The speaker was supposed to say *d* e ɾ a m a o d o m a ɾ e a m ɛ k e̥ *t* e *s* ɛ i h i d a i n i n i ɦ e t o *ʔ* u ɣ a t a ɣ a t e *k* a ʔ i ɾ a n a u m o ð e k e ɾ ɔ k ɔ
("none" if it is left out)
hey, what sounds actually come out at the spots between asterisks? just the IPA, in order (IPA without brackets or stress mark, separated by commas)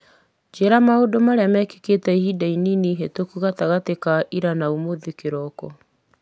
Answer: d͡ʒ, k, t, k, k